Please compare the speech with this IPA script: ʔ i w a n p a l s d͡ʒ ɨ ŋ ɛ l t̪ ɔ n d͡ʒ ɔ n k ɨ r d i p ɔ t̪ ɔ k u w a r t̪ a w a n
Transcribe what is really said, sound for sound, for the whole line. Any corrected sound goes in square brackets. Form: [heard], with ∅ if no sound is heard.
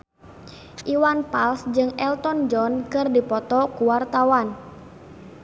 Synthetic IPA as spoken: ʔ i w a n p a l s d͡ʒ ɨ ŋ ɛ l t̪ ɔ n d͡ʒ ɔ n k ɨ r d i p ɔ t̪ ɔ k u w a r t̪ a w a n